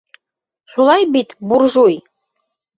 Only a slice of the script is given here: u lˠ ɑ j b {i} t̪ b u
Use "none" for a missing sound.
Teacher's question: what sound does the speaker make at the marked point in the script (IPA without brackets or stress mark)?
i